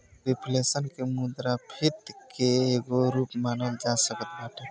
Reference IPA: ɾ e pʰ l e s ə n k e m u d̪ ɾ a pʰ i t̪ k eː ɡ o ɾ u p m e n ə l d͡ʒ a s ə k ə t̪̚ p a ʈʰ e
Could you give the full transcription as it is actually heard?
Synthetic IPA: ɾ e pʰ l e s ə n k e m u d̪ ɾ a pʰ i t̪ k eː ɡ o ɾ u p m a n ə l d͡ʒ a s ə k ə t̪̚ b a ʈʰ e